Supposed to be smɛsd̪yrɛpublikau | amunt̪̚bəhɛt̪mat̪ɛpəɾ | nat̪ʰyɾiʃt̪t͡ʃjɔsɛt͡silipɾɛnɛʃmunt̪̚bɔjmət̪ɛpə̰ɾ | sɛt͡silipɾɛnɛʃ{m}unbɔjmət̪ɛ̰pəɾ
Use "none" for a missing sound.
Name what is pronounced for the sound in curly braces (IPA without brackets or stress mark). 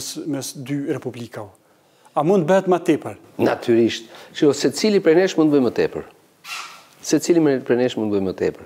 m